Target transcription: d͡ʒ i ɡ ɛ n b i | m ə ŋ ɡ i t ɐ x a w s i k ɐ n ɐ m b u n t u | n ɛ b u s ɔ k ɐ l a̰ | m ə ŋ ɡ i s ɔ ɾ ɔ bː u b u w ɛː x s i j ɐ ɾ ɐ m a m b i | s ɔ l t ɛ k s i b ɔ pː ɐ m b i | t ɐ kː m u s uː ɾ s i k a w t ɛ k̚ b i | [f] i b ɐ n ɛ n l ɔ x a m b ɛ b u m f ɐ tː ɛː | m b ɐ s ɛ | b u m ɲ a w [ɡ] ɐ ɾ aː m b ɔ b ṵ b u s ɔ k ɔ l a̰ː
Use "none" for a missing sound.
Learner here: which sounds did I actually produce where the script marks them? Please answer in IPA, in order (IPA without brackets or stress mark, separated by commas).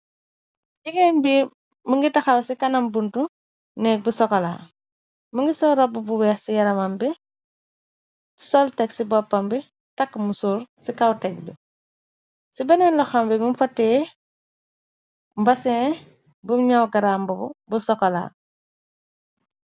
s, ɡ